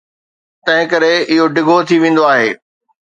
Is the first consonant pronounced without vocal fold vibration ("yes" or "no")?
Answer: yes